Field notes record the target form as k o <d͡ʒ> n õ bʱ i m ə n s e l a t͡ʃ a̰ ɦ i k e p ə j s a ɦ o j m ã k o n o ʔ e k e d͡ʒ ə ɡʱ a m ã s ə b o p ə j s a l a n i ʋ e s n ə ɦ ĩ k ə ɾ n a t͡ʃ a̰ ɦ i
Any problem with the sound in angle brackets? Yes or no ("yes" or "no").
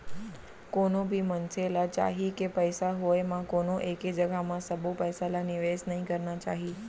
yes